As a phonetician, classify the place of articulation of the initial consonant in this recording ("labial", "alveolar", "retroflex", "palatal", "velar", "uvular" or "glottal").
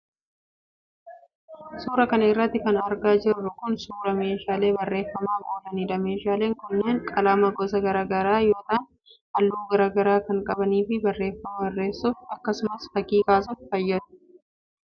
alveolar